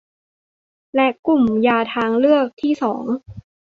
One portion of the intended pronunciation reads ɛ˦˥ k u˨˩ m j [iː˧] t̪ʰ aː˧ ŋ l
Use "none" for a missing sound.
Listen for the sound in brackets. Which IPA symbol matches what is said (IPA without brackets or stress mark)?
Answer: aː˧